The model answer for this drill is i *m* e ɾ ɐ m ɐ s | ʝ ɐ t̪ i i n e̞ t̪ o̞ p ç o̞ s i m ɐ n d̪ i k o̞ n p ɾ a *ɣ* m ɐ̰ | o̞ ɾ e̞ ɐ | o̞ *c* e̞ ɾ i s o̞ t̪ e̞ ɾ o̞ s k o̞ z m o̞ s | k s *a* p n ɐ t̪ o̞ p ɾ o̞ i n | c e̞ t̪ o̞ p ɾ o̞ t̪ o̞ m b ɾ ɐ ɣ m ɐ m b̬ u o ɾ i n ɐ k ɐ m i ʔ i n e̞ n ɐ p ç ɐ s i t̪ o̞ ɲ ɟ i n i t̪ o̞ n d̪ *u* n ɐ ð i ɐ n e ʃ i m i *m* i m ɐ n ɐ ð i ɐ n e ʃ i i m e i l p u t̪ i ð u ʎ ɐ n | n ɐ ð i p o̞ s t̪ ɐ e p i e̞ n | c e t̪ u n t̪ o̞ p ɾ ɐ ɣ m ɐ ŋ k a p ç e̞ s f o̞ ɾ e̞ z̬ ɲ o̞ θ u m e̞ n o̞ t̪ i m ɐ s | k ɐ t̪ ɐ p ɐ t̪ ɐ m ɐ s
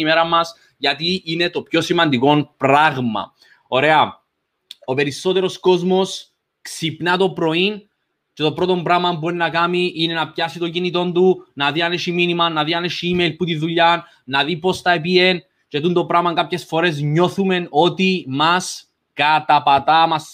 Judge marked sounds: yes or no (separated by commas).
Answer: yes, yes, no, no, yes, no